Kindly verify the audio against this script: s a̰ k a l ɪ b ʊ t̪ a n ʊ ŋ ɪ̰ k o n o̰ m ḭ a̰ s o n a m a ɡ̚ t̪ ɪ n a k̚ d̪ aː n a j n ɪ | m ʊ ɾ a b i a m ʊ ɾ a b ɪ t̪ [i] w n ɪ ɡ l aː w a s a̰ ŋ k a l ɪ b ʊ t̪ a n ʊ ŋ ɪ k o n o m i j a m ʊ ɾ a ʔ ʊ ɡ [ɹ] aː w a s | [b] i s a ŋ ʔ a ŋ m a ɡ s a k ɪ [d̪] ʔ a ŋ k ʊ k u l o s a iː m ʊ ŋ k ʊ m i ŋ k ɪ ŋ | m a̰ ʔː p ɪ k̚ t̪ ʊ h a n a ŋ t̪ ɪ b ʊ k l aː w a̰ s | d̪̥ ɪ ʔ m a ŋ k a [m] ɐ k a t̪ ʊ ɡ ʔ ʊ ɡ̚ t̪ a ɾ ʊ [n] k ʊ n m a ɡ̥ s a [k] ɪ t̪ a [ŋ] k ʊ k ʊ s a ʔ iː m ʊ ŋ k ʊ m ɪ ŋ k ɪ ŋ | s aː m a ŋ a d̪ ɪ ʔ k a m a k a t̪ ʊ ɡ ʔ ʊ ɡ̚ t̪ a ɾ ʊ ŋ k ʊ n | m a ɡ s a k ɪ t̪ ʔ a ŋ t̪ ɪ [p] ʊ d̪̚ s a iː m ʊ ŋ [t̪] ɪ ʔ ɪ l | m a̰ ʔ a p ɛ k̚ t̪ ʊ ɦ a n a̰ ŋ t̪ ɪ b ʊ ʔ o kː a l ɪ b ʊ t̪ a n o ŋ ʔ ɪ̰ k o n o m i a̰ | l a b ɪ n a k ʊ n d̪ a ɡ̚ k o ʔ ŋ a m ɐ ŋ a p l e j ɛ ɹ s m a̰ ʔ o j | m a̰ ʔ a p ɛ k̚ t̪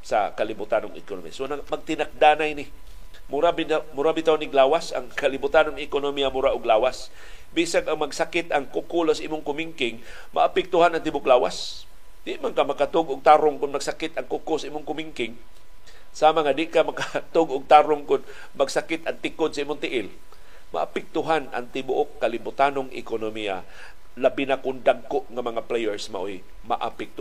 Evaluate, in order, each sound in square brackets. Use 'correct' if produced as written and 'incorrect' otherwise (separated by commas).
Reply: incorrect, incorrect, correct, incorrect, correct, incorrect, correct, correct, incorrect, correct